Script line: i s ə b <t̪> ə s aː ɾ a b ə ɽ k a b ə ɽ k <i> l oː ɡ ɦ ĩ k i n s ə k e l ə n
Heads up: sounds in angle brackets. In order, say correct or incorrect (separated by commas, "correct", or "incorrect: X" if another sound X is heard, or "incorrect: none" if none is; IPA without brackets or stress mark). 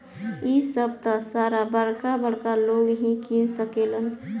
correct, incorrect: a